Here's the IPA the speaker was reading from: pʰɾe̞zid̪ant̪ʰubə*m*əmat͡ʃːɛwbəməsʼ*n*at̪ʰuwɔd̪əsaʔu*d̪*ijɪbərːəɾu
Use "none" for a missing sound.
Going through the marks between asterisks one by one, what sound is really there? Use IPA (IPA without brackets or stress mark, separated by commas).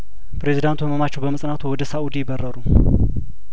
m, n, d̪